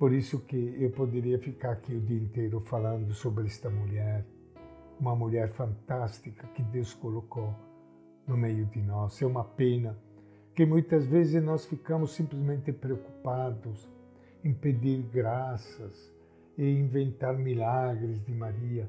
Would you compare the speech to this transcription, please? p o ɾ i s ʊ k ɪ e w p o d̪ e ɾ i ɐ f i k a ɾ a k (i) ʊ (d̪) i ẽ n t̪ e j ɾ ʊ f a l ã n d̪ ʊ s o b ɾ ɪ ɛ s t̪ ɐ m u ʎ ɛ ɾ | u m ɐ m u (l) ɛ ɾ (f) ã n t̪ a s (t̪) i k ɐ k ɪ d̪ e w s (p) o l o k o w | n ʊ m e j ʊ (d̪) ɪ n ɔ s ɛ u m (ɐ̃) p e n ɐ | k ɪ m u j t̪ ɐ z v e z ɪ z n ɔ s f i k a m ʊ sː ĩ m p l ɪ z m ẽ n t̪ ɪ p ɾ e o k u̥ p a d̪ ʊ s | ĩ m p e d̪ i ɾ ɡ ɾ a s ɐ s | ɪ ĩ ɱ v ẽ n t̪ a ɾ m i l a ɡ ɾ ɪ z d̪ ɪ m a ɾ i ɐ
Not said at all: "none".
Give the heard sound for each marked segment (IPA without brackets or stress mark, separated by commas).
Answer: i, d̪, ʎ, f, t̪, k, d̪, ɐ